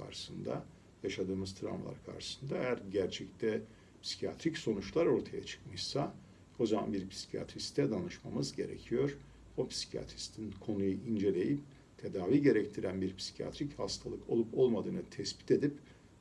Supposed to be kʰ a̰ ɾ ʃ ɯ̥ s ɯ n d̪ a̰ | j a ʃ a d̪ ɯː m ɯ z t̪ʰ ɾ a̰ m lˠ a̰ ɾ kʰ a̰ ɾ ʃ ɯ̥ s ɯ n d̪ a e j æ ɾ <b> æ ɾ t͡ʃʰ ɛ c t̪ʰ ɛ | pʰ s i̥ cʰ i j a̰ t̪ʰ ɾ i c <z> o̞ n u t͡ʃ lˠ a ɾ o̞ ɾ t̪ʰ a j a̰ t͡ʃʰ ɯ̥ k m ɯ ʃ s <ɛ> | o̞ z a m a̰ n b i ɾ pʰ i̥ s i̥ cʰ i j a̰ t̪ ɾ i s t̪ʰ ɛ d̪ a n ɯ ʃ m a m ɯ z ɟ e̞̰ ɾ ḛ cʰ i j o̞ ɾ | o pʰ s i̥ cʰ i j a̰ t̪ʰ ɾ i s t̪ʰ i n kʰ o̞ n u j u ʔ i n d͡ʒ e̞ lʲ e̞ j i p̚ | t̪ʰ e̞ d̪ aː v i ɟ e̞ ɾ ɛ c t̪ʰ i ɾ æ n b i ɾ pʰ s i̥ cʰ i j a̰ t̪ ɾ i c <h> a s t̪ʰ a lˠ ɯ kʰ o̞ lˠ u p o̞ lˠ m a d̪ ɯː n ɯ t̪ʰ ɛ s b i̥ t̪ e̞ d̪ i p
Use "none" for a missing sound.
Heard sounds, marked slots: ɟ, s, a, h

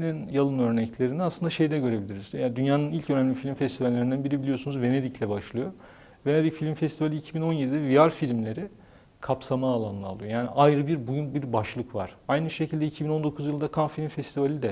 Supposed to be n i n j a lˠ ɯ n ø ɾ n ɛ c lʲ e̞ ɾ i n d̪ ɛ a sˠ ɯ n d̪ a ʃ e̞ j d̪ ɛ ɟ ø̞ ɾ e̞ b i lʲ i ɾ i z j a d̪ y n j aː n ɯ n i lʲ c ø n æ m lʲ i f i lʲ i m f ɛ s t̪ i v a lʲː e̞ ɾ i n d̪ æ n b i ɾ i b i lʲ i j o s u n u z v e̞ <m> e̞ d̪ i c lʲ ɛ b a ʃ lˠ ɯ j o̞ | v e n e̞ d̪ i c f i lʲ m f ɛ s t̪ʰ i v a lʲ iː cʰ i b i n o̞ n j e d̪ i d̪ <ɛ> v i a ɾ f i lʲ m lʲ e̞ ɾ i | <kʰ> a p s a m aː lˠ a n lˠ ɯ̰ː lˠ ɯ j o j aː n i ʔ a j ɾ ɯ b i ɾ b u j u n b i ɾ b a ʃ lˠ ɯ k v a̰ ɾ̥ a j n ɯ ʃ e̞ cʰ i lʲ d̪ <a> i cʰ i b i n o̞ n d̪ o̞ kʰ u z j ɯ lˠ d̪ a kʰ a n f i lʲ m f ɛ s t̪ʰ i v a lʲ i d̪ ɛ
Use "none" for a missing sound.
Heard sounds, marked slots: n, ɛ, kʰ, ɛ

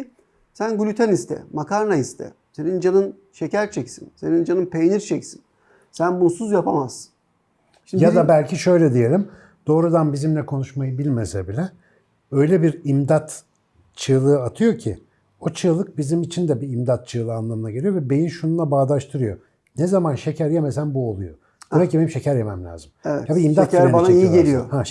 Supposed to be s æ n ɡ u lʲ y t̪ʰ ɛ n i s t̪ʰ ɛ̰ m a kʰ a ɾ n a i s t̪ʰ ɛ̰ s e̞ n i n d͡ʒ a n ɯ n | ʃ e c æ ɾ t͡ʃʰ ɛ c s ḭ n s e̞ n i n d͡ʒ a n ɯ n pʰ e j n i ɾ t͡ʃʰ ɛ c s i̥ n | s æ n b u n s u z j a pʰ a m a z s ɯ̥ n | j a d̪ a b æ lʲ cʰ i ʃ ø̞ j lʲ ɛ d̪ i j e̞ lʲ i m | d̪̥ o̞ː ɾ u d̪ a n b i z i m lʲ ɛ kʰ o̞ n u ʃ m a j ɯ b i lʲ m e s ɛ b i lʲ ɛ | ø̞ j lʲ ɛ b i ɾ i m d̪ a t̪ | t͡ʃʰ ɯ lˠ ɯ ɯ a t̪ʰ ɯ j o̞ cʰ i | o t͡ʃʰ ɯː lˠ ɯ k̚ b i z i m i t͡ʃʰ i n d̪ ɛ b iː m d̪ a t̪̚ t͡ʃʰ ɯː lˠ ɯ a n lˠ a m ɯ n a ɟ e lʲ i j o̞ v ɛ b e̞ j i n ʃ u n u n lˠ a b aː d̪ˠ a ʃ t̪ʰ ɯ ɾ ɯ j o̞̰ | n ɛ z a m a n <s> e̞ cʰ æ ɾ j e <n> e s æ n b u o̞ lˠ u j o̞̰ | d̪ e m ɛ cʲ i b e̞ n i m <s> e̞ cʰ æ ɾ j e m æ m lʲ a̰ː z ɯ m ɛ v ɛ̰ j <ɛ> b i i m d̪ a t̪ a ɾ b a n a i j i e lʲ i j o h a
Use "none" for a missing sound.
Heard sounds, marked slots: ʃ, m, ʃ, a

